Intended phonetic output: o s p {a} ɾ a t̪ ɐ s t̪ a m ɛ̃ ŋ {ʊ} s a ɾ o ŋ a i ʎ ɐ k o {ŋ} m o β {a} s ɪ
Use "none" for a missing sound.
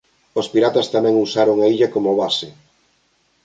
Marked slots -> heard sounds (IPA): i, u, none, a

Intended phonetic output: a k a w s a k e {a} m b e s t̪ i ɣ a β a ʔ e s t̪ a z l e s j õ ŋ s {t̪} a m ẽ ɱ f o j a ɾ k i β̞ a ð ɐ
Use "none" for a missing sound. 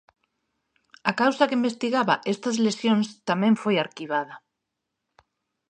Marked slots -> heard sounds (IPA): i, t̪

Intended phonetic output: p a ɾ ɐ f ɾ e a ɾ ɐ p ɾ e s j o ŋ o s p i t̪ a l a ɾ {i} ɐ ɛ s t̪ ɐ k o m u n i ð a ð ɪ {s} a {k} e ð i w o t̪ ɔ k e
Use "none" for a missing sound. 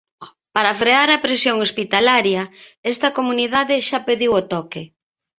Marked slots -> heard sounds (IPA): j, ʃ, p

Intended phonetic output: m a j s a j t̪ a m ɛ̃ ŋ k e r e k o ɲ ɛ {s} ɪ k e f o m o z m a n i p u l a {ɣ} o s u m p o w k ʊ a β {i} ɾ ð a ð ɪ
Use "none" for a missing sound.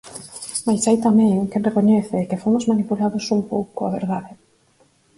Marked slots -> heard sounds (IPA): θ, ð, e

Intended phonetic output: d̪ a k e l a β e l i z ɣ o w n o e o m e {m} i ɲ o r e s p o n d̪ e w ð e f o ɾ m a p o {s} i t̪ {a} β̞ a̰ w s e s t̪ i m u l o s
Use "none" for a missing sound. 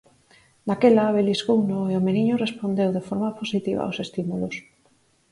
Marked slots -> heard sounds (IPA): n, s, i

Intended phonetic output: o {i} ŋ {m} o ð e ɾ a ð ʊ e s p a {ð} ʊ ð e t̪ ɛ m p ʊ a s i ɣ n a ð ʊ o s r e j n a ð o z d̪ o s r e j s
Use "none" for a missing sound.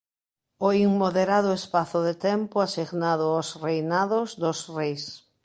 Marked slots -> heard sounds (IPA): i, m, θ

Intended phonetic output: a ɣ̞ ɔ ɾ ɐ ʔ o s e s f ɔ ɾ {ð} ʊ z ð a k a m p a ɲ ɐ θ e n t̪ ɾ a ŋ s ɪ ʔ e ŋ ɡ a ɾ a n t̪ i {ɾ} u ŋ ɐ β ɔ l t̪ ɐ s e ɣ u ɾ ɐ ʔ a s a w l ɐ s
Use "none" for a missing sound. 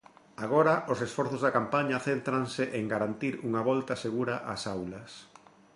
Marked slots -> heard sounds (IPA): θ, ɾ

